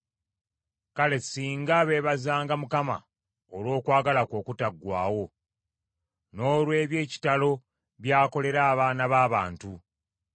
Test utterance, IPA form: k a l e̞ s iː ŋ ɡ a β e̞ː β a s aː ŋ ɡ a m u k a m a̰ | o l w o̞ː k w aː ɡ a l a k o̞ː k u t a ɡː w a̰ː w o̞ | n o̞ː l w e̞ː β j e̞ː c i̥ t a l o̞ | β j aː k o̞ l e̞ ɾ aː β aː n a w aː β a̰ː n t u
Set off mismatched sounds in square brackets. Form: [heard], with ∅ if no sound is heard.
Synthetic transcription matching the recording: k a l e̞ s iː ŋ ɡ a β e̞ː β a [z] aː ŋ ɡ a m u k a m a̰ | o l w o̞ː k w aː ɡ a l a k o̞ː k u t a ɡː w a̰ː w o̞ | n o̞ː l w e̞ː β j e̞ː c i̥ t a l o̞ | β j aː k o̞ l e̞ ɾ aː β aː n a [β] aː β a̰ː n t u